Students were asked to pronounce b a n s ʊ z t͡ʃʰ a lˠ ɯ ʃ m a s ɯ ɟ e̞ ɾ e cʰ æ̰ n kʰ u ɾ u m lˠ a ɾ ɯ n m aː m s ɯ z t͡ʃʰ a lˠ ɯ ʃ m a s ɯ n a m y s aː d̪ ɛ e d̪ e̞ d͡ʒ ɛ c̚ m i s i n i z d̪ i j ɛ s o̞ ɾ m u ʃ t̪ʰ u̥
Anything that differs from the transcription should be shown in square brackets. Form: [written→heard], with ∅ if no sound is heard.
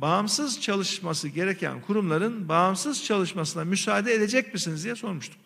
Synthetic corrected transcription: b a [n→m] s [ʊ→ɯ] z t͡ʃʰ a lˠ ɯ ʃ m a s ɯ ɟ e̞ ɾ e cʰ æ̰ n kʰ u ɾ u m lˠ a ɾ ɯ n [m→b] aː m s ɯ z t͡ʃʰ a lˠ ɯ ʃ m a s ɯ n a m y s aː d̪ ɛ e d̪ e̞ d͡ʒ ɛ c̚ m i s i n i z d̪ i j ɛ s o̞ ɾ m u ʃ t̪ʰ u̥